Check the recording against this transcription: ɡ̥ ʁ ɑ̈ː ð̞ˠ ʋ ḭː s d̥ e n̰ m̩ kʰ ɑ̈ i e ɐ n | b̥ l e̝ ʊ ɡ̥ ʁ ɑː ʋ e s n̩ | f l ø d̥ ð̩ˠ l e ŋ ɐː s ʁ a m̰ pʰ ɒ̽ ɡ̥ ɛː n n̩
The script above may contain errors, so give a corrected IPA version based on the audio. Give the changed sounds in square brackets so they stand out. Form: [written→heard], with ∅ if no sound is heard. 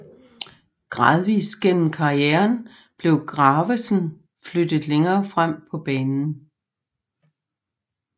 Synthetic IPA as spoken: ɡ̥ ʁ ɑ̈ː ð̞ˠ ʋ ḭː s [d̥→ɡ̥] e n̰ m̩ kʰ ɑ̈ i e ɐ n | b̥ l e̝ ʊ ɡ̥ ʁ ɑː ʋ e s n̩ | f l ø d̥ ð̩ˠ l e ŋ ɐː [s→f] ʁ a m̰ pʰ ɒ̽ [ɡ̥→b̥] ɛː n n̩